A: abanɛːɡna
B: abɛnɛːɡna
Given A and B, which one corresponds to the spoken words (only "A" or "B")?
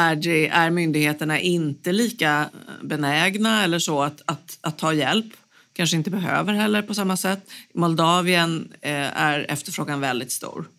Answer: B